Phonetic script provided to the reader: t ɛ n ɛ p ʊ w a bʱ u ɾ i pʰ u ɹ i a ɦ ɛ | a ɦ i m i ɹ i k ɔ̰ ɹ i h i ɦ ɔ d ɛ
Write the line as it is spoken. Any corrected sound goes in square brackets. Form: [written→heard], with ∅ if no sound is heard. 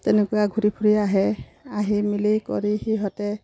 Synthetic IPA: t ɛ n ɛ [p→k] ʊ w a [bʱ→ɡʱ] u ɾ i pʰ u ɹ i a ɦ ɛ | a ɦ i m i [ɹ→l] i k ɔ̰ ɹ i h i ɦ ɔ [d→t] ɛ